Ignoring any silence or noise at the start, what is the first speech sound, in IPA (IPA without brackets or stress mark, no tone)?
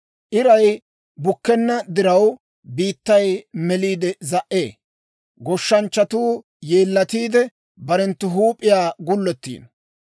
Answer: ʔ